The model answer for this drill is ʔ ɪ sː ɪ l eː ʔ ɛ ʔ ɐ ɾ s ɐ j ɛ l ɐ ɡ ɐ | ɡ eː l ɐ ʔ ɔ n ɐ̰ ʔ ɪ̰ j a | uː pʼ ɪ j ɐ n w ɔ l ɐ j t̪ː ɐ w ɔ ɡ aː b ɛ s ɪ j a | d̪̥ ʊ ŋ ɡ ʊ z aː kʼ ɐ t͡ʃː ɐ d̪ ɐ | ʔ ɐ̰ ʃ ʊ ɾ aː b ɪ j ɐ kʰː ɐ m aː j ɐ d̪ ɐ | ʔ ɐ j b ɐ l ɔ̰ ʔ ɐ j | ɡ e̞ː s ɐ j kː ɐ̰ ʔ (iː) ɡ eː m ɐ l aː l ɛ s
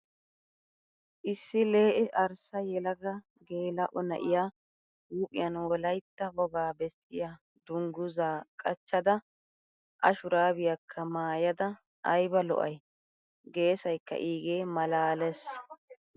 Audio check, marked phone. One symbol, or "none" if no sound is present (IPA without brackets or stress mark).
iː